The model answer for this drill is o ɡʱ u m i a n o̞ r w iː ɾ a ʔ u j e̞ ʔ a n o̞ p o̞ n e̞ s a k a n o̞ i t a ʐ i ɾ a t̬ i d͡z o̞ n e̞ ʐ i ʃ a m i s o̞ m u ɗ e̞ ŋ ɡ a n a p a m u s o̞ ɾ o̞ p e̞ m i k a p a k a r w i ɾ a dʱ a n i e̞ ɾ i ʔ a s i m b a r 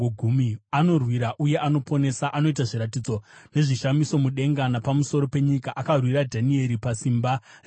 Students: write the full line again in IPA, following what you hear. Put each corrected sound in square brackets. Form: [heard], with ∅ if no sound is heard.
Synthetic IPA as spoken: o ɡʱ u m i a n o̞ r w [i] ɾ a ʔ u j e̞ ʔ a n o̞ p o̞ n e̞ s a [ʔ] a n o̞ i t a ʐ i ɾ a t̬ i d͡z o̞ n e̞ ʐ i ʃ a m i s o̞ m u ɗ e̞ ŋ ɡ a n a p a m u s o̞ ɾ o̞ p e̞ [ɲ] i k a [ʔ] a k a r w i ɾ a dʱ a n i e̞ ɾ i [p] a s i m b a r